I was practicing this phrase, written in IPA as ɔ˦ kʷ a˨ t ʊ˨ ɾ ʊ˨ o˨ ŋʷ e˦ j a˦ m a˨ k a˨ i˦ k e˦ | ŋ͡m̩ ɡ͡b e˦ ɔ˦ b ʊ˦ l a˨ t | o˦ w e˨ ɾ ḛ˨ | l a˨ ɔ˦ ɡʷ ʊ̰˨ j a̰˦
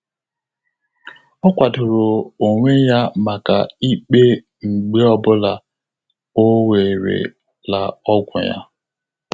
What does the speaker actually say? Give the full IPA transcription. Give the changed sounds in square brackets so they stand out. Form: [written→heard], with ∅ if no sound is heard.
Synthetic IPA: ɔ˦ kʷ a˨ t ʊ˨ ɾ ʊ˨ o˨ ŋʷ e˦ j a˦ m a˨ k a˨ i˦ [k→k͡p] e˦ | ŋ͡m̩ ɡ͡b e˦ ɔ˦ b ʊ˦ l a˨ [t→∅] | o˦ w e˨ ɾ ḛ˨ | l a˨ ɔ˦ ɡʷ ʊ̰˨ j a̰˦